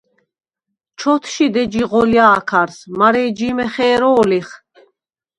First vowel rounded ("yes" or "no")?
yes